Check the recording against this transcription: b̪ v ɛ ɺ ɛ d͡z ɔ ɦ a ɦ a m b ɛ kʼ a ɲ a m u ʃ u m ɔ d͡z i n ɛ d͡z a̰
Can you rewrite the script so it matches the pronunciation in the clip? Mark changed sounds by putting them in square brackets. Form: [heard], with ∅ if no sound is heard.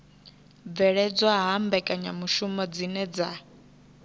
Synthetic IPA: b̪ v ɛ ɺ ɛ d͡z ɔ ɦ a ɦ a m b ɛ kʼ a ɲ a m u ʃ u m ɔ d͡z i n ɛ d͡z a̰

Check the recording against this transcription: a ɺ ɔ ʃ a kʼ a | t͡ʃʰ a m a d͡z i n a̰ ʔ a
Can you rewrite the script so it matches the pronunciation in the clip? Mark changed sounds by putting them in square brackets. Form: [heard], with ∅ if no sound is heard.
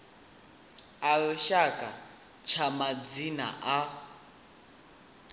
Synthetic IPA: a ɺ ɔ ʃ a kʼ a | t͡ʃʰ a m a d͡z i n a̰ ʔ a

